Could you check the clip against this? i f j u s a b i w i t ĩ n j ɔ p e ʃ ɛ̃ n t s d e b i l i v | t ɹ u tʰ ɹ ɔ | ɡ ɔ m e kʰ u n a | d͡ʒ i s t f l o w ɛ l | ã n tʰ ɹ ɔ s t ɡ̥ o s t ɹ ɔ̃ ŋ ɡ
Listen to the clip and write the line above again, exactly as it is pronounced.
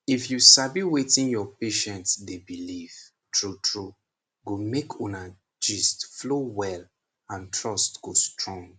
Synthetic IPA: i f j u s a b i w e t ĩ n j ɔ p e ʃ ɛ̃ n t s d e b i l i v | t ɹ u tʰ ɹ u | ɡ o m e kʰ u n a | d͡ʒ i s t f l o w ɛ l | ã n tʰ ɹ ɔ s t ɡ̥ o s t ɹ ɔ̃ ŋ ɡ